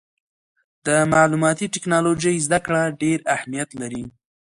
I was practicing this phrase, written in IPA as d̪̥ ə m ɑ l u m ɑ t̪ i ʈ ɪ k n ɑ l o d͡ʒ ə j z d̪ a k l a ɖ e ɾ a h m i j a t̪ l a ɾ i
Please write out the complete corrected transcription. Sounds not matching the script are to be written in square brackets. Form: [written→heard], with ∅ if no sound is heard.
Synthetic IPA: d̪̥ ə m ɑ l u m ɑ t̪ i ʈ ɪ k n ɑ l o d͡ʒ ə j z d̪ a k [l→ɽ] a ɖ e ɾ a h m i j a t̪ l a ɾ i